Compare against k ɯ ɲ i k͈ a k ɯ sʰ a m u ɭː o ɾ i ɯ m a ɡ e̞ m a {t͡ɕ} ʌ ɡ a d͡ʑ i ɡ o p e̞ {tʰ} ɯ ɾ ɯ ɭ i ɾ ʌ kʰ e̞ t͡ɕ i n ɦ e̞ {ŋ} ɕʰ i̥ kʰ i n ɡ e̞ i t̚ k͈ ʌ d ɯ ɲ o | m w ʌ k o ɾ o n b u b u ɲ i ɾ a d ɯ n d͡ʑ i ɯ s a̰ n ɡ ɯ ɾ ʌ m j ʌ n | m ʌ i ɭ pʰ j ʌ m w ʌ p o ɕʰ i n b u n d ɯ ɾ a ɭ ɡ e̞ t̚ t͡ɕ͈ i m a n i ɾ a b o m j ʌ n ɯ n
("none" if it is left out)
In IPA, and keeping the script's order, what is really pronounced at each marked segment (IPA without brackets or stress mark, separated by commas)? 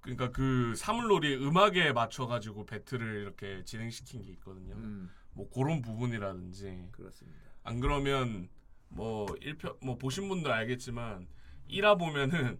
t͡ɕʰ, tʰ, ŋ